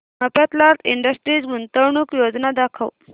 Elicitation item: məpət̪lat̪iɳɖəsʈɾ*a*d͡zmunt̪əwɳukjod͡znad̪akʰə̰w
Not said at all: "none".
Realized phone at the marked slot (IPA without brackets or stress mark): i